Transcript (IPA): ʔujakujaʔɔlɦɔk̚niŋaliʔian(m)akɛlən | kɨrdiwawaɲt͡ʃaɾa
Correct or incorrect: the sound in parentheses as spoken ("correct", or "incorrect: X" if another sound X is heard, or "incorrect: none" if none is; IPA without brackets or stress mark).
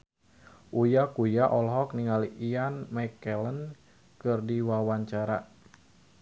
correct